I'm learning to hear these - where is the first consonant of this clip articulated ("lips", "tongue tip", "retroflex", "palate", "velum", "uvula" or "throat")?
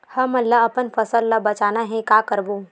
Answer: throat